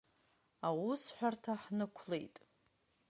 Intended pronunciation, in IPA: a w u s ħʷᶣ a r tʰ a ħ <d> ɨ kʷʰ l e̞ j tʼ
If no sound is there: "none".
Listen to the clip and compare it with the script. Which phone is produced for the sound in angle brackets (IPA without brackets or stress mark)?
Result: n